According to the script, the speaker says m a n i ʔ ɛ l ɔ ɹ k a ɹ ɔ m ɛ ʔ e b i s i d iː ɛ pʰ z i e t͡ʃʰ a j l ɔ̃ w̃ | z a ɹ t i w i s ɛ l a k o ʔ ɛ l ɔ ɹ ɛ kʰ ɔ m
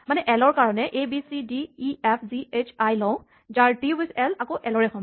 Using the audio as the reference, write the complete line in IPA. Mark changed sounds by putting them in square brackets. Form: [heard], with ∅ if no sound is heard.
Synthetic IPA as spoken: m a n [ɛ] ʔ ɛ l ɔ ɹ k a ɹ ɔ [n] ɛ ʔ e b i s i d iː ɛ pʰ z i e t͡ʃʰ a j l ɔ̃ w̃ | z a ɹ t i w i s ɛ l a k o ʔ ɛ l ɔ ɹ ɛ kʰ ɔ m